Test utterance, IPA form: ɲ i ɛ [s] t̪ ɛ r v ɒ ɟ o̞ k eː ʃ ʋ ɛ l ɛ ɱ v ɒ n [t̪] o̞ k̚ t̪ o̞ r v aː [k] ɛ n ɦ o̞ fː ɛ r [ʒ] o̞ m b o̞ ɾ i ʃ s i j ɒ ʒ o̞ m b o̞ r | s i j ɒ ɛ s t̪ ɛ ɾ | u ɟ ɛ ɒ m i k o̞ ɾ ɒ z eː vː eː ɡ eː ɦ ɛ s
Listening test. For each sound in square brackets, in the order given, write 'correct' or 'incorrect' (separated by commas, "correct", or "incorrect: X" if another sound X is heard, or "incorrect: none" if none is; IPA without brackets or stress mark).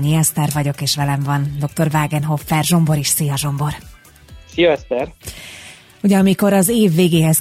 correct, incorrect: d̪, incorrect: ɡ, correct